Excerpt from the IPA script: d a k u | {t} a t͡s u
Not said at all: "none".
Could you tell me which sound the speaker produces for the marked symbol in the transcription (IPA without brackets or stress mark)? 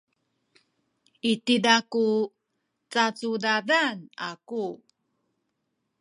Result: t͡s